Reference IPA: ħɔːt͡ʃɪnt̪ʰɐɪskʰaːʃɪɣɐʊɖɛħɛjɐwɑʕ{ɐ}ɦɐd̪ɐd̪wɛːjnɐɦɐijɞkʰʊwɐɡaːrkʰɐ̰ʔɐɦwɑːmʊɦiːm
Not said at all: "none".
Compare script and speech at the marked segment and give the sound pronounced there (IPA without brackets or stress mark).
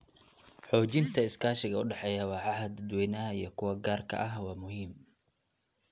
ɑ